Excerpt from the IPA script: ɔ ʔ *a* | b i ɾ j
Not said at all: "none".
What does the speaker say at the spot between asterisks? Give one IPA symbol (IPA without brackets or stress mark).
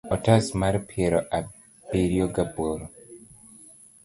a